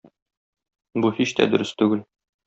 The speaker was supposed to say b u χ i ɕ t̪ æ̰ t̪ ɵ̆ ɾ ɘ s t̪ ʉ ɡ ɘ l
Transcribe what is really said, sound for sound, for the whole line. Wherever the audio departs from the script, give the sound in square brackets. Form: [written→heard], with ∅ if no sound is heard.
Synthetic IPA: b u [χ→h] i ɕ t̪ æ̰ [t̪→d̪] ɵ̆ ɾ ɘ s t̪ ʉ ɡ ɘ l